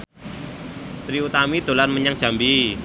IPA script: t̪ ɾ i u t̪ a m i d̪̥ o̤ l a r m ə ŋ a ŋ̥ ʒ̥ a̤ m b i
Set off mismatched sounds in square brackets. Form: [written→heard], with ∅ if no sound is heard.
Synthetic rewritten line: t̪ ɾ i u t̪ a m i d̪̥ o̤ l a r m ə [ŋ→ɲ] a ŋ̥ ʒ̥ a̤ m b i